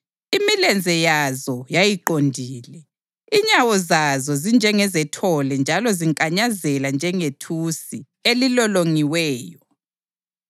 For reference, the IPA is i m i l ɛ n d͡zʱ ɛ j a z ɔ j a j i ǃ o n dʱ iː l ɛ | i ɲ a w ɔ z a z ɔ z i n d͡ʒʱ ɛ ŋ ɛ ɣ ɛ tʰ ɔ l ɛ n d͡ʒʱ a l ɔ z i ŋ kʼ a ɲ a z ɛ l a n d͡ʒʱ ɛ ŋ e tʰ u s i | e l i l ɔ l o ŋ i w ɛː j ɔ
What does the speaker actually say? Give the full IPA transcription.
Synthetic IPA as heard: i m i l ɛ n d͡zʱ ɛ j a z ɔ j a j i ǃ o n dʱ iː l ɛ | i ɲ a w ɔ z a z ɔ z i n d͡ʒʱ ɛ ŋ ɛ z ɛ tʰ ɔ l ɛ n d͡ʒʱ a l ɔ z i ŋ kʼ a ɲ a z ɛ l a n d͡ʒʱ ɛ ŋ e tʰ u s i | e l i l ɔ l o ŋ i w ɛː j ɔ